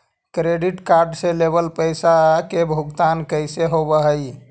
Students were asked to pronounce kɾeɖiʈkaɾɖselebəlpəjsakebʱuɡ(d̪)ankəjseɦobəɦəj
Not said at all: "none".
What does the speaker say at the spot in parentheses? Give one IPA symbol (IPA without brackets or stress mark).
t̪